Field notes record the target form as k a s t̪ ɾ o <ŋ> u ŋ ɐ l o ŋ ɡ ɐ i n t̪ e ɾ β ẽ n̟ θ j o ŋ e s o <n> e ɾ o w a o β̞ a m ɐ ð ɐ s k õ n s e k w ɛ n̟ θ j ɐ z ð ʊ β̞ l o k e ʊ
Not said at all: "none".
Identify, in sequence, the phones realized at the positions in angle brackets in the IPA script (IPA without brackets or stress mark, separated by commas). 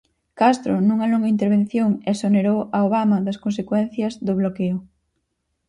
n, n